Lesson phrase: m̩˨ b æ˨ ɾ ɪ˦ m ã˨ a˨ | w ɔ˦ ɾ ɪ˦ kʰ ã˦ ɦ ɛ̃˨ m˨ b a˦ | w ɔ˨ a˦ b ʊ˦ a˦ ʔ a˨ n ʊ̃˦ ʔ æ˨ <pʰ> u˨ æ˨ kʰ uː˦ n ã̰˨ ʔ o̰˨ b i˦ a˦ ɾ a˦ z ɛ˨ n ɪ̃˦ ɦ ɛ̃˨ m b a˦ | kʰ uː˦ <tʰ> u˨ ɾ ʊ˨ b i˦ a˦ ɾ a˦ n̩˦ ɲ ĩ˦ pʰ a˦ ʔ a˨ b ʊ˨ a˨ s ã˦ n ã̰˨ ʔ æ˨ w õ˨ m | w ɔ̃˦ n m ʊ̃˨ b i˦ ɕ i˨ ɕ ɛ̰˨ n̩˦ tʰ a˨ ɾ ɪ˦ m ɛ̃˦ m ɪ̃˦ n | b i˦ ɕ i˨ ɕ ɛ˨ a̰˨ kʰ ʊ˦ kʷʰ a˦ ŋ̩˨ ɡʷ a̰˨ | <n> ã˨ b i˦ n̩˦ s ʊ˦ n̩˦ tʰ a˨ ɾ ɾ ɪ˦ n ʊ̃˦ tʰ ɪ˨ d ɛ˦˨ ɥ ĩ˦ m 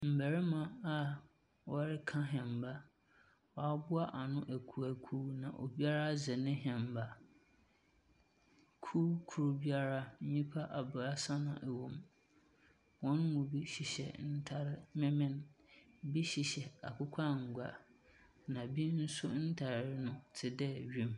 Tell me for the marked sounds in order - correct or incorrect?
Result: incorrect: kʰ, incorrect: kʰ, correct

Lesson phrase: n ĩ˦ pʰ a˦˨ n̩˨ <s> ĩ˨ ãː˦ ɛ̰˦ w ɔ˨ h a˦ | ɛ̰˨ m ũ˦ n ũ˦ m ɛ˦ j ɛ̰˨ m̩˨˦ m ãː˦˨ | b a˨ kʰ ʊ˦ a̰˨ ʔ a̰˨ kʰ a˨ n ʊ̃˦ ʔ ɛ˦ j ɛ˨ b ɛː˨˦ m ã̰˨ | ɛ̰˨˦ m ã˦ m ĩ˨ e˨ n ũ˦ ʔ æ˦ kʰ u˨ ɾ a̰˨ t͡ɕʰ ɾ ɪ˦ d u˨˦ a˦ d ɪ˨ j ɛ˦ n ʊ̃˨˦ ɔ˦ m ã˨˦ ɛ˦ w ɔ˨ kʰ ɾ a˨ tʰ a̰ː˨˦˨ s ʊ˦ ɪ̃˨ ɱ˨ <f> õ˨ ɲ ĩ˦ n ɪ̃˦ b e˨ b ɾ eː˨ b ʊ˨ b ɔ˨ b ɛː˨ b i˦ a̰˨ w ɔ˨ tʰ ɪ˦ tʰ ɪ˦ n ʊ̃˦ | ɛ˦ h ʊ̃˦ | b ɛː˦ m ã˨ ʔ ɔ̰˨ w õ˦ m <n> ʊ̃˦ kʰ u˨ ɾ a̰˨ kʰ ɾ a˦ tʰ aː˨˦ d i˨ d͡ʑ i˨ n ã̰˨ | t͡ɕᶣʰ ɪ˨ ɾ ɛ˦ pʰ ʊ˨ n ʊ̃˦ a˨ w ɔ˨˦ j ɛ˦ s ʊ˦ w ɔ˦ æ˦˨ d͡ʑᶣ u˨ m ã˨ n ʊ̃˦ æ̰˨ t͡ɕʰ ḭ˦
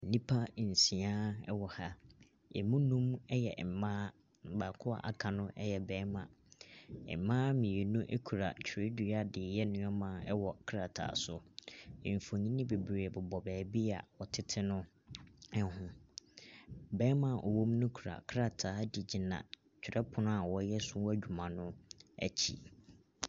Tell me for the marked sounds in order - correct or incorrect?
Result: correct, correct, correct

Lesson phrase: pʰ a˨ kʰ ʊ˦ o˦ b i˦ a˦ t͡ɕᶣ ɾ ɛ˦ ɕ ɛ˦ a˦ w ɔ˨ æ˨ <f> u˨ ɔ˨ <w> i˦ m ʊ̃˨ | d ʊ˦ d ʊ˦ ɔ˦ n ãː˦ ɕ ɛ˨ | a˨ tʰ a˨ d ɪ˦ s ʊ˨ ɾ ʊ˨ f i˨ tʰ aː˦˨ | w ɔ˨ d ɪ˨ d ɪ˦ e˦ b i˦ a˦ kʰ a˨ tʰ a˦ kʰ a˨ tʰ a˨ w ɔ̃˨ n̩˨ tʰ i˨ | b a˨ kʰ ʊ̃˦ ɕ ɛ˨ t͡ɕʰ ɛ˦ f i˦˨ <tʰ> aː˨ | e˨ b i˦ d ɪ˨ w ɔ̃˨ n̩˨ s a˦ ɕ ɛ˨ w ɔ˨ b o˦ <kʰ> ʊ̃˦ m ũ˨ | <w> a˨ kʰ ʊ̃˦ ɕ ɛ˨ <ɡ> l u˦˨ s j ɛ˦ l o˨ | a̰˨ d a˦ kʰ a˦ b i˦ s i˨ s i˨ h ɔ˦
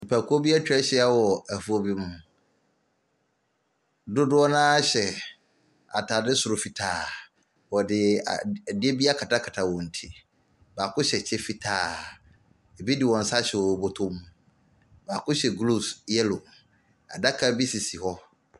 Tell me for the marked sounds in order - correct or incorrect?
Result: correct, incorrect: b, correct, incorrect: tʰ, incorrect: b, correct

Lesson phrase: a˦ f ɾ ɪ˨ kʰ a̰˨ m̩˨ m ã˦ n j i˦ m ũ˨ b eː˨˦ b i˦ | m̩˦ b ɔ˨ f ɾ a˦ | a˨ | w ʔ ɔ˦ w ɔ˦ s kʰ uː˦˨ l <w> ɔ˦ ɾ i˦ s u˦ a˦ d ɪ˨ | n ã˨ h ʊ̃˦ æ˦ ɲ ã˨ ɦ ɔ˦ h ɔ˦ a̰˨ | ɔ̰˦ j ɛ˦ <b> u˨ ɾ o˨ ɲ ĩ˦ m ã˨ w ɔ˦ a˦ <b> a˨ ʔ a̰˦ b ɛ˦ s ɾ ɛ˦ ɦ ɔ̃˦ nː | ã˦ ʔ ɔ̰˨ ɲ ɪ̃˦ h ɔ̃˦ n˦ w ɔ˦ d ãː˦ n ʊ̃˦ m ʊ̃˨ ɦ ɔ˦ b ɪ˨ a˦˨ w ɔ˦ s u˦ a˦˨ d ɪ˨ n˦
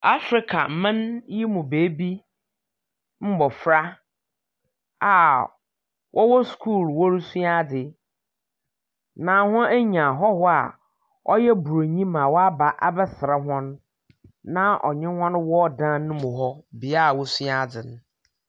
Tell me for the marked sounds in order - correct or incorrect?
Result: correct, correct, correct

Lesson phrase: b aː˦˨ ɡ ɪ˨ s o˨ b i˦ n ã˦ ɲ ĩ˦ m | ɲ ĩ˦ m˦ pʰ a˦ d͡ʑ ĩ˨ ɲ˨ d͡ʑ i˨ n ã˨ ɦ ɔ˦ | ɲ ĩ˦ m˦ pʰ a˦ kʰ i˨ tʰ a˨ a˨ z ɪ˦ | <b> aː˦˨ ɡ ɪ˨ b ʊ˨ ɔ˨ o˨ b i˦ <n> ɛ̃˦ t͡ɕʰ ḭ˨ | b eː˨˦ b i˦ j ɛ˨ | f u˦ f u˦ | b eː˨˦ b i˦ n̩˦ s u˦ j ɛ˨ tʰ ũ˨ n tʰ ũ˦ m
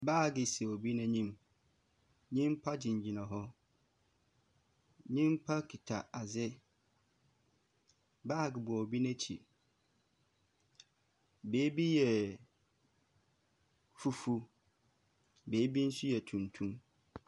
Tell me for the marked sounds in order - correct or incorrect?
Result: correct, correct

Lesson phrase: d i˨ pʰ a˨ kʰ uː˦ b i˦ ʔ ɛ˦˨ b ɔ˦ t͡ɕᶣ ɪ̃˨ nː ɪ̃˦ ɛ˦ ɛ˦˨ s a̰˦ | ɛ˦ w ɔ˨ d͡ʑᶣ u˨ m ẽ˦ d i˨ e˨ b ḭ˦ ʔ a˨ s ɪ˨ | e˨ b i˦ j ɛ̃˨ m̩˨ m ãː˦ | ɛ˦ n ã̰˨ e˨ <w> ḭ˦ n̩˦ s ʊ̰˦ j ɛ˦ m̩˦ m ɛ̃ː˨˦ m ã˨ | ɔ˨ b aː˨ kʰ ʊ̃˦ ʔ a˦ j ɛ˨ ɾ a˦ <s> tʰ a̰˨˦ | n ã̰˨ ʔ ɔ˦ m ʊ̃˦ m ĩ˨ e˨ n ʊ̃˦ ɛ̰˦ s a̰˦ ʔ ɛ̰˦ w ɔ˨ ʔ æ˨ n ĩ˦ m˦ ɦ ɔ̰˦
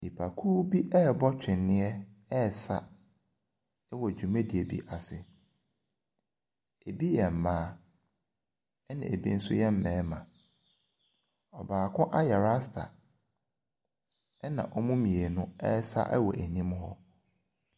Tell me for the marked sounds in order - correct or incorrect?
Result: incorrect: b, correct

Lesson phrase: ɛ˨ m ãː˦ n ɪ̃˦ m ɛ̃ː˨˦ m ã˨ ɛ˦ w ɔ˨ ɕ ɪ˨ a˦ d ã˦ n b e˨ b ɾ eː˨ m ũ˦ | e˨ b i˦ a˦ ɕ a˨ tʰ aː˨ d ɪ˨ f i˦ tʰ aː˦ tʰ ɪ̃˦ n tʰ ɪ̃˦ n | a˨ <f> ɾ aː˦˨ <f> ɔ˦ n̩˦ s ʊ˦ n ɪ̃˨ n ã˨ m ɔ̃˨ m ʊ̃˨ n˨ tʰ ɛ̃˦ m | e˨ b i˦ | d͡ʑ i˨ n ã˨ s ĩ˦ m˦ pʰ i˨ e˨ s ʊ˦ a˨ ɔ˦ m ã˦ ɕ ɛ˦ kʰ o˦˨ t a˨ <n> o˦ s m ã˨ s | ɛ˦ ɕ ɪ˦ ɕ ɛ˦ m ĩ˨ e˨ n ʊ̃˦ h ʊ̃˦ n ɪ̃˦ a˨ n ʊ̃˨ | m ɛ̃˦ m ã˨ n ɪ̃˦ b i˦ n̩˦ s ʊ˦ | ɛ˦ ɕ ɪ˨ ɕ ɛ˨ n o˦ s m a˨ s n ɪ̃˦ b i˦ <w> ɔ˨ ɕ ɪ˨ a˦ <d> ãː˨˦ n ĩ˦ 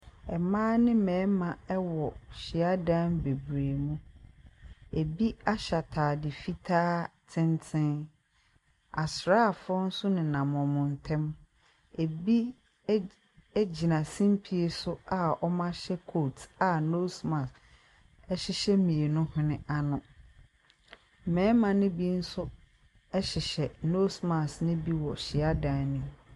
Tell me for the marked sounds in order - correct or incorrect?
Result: incorrect: s, correct, correct, correct, correct

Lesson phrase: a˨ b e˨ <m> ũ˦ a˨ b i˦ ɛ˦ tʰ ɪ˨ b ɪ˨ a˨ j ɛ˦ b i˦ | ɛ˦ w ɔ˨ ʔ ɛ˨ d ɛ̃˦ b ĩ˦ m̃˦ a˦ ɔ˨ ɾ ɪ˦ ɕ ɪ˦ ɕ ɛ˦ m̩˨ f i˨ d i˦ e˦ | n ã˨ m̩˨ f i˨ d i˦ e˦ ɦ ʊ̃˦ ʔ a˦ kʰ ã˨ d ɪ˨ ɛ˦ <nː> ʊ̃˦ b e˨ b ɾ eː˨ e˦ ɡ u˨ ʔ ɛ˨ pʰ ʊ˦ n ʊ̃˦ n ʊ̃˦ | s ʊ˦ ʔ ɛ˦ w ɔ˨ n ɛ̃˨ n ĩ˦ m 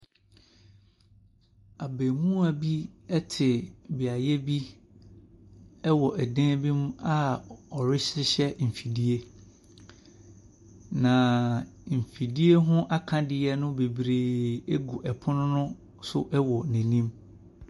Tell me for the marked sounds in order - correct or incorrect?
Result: correct, incorrect: n

